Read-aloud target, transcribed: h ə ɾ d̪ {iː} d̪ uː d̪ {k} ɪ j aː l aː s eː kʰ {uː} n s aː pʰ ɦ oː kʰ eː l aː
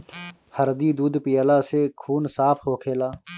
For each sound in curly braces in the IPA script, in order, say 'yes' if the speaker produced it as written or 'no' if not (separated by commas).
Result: yes, no, yes